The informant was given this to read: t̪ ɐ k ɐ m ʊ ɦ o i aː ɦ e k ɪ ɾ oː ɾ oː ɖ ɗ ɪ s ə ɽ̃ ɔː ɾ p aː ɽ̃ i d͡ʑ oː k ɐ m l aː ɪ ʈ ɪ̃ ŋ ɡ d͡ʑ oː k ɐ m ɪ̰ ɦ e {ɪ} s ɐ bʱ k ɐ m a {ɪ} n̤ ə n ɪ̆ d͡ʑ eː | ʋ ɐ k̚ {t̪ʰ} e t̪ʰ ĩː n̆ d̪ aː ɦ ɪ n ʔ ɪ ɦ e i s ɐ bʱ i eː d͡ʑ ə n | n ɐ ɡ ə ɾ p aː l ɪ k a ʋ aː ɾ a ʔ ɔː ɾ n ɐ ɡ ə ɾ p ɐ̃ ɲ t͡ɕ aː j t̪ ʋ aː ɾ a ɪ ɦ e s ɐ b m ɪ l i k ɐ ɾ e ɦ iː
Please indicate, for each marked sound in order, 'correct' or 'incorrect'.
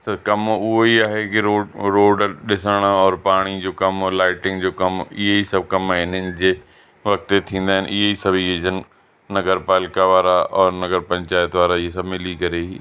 incorrect: i, correct, incorrect: t̪

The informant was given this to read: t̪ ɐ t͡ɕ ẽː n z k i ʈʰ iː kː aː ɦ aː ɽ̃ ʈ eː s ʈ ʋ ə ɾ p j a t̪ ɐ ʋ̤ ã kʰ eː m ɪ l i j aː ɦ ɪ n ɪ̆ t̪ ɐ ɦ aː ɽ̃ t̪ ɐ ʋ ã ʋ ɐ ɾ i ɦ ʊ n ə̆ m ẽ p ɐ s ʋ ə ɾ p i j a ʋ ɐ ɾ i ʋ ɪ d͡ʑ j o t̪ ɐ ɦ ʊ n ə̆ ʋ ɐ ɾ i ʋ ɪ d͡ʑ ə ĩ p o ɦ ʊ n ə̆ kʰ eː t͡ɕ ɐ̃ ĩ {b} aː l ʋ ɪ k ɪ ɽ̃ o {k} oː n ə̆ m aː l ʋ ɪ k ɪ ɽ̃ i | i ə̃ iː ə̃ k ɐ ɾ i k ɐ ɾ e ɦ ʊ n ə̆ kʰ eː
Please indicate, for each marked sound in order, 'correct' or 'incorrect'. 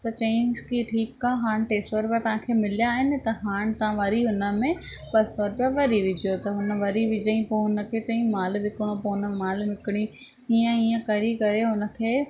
incorrect: m, incorrect: p

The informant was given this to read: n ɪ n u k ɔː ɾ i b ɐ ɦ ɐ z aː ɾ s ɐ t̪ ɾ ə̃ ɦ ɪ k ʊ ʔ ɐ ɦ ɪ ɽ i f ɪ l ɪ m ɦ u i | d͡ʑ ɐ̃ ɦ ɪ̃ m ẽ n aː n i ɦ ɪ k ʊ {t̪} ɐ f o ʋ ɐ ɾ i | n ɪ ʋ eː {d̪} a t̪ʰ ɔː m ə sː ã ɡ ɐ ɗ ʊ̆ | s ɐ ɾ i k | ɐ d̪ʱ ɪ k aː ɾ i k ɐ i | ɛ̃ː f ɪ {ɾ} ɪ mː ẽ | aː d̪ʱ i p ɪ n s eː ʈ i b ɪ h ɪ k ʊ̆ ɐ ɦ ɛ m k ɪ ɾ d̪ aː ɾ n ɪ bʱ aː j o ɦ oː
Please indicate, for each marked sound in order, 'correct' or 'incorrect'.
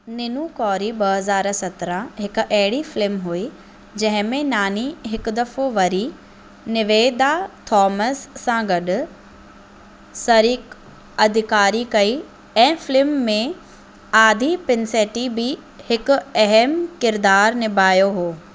incorrect: d̪, correct, incorrect: l

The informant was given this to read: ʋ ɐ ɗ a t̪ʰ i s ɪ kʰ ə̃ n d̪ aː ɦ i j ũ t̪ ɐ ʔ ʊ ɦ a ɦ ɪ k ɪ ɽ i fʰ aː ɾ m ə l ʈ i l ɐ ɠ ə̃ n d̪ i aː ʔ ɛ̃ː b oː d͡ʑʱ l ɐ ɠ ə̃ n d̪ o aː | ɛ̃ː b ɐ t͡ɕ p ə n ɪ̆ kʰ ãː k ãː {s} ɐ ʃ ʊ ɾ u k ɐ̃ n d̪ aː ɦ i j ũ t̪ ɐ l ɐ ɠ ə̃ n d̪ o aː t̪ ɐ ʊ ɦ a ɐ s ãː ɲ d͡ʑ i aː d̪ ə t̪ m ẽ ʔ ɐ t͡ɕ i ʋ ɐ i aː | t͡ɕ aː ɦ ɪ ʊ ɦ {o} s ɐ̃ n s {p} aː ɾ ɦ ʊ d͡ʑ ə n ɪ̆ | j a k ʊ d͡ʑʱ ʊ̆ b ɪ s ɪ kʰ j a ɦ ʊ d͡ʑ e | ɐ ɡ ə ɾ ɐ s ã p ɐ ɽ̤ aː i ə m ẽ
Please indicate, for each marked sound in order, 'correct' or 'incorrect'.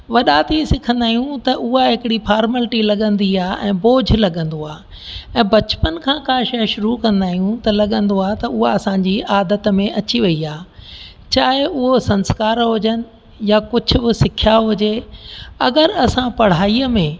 incorrect: ʃ, correct, incorrect: k

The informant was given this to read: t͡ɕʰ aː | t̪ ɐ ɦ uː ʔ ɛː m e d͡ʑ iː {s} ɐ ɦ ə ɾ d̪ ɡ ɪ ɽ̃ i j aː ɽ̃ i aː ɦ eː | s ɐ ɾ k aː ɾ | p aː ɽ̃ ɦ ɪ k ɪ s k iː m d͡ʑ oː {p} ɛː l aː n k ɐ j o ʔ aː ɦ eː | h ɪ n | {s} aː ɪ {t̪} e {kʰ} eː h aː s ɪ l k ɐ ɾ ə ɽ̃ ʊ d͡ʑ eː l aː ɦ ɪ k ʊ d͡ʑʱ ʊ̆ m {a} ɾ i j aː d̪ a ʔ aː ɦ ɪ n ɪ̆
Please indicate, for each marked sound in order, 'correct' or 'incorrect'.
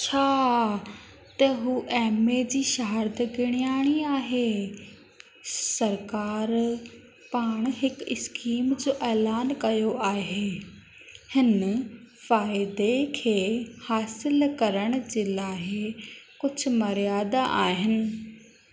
incorrect: ʃ, incorrect: ʔ, incorrect: f, incorrect: d̪, correct, incorrect: ɐ

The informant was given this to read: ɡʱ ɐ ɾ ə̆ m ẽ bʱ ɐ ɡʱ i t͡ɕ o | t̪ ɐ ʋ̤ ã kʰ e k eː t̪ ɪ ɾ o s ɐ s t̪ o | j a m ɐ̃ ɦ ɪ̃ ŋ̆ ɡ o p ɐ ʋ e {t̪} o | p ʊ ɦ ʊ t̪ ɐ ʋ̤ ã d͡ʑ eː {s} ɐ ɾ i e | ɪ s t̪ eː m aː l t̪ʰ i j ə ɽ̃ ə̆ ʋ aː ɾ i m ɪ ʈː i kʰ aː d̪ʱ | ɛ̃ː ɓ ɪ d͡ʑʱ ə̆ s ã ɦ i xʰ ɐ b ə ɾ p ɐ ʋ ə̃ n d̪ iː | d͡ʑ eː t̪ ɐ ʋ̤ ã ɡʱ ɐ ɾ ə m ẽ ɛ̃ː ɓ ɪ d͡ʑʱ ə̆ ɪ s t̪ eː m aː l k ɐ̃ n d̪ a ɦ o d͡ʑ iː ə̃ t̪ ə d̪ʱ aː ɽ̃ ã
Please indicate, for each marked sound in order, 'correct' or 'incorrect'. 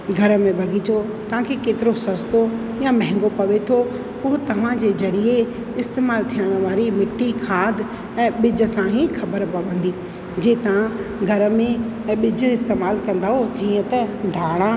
incorrect: t̪ʰ, incorrect: z

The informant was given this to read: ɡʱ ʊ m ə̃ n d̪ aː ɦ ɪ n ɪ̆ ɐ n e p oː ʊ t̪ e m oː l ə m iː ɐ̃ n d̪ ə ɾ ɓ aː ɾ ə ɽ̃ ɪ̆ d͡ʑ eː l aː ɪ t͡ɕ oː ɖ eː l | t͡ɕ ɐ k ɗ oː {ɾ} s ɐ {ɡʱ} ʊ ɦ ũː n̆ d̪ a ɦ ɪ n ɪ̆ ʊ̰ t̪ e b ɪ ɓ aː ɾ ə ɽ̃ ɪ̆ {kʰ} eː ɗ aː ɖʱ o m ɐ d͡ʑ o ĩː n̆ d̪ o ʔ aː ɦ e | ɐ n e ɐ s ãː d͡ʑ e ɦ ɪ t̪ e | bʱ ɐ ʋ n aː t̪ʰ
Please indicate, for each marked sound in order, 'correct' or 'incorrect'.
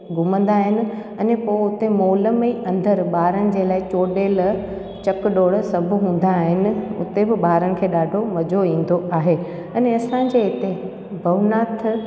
incorrect: ɽ, incorrect: bʱ, correct

